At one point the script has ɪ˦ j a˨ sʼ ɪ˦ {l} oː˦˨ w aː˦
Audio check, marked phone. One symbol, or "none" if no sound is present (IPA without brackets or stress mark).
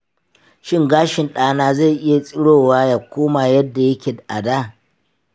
ɽ